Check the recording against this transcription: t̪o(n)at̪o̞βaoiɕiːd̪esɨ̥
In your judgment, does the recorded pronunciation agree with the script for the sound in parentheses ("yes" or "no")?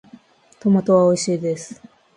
no